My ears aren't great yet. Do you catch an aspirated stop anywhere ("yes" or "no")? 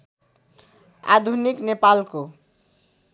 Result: no